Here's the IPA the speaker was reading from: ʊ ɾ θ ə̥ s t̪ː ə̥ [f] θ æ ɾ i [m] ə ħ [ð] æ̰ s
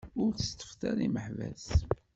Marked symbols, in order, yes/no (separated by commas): yes, yes, no